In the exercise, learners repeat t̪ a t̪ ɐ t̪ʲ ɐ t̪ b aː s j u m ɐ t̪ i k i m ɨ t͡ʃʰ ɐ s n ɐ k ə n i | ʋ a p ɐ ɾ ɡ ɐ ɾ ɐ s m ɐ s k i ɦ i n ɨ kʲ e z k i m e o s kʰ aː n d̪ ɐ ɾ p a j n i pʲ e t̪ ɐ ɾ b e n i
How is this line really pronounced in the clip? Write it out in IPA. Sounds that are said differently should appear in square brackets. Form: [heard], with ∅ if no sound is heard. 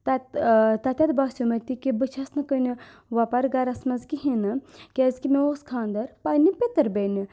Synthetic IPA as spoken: t̪ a t̪ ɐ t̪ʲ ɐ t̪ b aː s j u m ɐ t̪ i k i [b] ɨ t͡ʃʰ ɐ s n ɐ k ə n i | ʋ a p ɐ ɾ ɡ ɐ ɾ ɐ s m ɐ [z] k i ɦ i n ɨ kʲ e z k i m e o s kʰ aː n d̪ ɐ ɾ p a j n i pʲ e t̪ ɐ ɾ b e n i